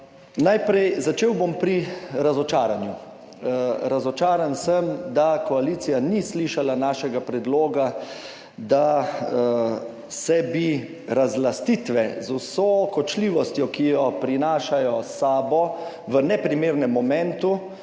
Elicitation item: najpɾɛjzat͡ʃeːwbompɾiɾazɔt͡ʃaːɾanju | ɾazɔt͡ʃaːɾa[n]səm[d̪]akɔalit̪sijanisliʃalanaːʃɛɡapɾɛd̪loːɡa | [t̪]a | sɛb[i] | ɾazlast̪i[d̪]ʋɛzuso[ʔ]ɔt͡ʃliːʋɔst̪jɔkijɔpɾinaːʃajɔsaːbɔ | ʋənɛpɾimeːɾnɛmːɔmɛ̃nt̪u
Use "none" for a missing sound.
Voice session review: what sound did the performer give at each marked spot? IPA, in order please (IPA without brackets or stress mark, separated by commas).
n, d̪, d̪, i, t̪, k